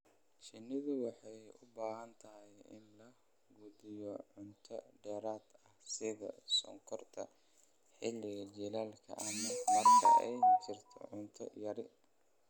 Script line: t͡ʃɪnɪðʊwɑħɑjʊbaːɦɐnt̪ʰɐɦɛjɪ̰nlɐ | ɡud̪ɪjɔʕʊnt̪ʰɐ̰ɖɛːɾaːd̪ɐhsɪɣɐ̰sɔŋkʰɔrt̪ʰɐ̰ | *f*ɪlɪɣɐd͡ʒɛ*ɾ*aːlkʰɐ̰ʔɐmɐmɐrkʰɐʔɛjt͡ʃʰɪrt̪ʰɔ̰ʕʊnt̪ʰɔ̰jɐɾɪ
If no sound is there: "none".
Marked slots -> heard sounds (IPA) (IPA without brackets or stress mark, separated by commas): ħ, l